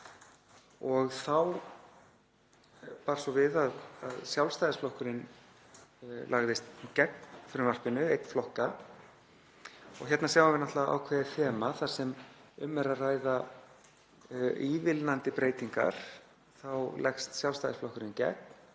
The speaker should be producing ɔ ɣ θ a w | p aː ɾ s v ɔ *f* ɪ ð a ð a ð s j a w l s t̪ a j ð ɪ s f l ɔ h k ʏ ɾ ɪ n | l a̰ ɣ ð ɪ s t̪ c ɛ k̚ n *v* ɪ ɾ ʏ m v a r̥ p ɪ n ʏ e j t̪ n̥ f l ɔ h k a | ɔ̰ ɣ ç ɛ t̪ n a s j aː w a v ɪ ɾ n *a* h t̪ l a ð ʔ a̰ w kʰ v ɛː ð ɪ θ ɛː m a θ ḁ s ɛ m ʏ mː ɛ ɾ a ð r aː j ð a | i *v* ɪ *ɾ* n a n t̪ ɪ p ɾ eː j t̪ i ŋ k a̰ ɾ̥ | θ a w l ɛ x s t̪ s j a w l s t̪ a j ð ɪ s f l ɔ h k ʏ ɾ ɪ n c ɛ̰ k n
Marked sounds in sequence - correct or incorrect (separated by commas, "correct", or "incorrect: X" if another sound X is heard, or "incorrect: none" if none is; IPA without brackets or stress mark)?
incorrect: v, incorrect: f, correct, correct, incorrect: l